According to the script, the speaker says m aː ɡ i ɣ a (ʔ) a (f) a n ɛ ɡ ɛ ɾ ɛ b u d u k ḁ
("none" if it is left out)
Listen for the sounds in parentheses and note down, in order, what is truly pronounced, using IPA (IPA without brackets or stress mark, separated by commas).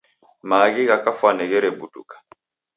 k, f